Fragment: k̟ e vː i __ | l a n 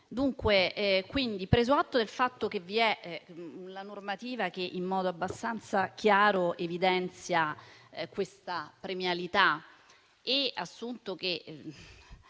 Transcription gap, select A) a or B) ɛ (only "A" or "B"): B